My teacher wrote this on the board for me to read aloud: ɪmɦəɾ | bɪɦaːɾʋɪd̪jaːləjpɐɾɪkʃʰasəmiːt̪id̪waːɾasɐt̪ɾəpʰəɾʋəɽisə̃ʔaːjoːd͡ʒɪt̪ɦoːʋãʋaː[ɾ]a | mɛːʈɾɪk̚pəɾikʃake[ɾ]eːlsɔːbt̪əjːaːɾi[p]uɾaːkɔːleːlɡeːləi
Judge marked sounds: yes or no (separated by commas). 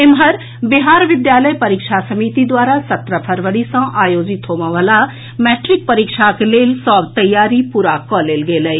no, no, yes